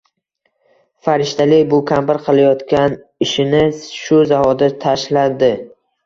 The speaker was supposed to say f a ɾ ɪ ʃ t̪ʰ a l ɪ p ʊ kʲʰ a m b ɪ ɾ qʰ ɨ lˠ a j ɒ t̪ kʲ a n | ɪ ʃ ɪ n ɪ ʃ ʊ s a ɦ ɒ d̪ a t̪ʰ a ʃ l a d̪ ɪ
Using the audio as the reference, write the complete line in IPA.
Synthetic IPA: f a ɾ ɪ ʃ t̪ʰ a l ɪ b ʊ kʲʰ a m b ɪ ɾ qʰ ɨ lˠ a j ɒ t̪ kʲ a n | ɪ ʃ ɪ n ɪ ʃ ʊ z a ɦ ɒ d̪ a t̪ʰ a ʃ l a d̪ ɪ